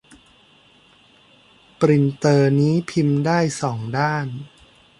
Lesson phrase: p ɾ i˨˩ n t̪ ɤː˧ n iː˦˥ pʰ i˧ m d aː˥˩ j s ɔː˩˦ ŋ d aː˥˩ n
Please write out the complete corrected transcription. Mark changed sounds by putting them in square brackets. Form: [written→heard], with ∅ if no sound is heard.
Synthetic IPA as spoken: p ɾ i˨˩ n t̪ ɤː˧ n iː˦˥ pʰ i˧ m d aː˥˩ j s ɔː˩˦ ŋ d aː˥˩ n